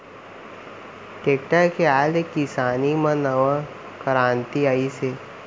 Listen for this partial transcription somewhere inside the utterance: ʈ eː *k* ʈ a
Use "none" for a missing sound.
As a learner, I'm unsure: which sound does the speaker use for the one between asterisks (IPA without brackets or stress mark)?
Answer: k